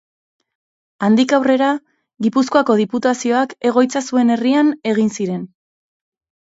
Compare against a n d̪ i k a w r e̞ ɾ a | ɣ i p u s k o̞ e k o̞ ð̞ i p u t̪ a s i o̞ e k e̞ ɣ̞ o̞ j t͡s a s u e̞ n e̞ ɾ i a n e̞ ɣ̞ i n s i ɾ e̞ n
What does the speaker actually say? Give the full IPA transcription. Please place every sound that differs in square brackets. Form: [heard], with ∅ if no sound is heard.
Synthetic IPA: a n d̪ i k a w r e̞ ɾ a | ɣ i p u s k o̞ [a] k o̞ ð̞ i p u t̪ a s i o̞ [a] k e̞ ɣ̞ o̞ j t͡s a s u e̞ n e̞ [r] i a n e̞ ɣ̞ i n s i ɾ e̞ n